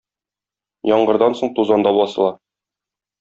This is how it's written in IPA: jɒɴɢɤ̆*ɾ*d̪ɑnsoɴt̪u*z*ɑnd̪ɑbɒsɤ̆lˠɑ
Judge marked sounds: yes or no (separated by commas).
yes, yes